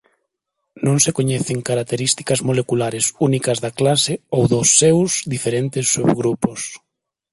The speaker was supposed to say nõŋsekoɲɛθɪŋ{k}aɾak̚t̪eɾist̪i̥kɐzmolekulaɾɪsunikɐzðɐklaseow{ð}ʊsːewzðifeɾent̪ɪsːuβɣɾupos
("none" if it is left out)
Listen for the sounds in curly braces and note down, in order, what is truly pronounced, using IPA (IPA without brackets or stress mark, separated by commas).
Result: k, ð